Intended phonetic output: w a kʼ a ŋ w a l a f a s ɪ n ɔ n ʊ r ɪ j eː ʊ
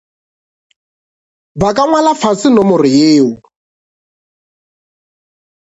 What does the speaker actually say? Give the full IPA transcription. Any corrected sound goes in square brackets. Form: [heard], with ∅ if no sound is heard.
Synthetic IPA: [b] a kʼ a ŋ w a l a f a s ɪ n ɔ [m] ʊ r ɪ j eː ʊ